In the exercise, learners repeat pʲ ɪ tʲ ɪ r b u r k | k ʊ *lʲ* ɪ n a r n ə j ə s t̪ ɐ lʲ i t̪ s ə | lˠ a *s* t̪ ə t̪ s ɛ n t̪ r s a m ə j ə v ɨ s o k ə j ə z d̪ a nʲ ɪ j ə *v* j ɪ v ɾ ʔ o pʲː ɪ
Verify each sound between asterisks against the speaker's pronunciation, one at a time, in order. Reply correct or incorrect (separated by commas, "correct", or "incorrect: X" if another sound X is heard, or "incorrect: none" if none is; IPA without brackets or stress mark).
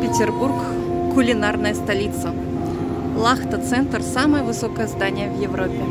correct, incorrect: x, correct